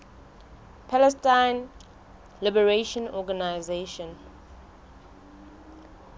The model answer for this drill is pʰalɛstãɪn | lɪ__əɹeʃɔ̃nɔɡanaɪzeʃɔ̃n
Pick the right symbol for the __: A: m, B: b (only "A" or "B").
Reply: B